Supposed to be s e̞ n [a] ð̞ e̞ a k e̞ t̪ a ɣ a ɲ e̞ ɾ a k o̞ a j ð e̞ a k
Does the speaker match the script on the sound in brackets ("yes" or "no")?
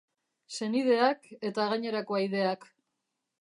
no